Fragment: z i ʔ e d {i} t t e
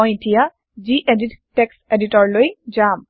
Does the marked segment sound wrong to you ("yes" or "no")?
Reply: no